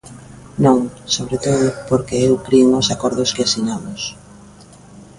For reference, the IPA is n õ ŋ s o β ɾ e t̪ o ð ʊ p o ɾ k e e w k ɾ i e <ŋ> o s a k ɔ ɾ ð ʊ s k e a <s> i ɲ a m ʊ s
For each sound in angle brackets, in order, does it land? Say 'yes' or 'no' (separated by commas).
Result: yes, yes